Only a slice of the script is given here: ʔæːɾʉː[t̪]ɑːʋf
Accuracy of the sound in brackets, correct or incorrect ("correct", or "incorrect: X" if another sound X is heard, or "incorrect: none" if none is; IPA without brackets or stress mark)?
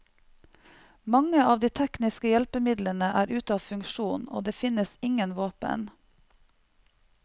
correct